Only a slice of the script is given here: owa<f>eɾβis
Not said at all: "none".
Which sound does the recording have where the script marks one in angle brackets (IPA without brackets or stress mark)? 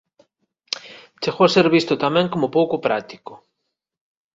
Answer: s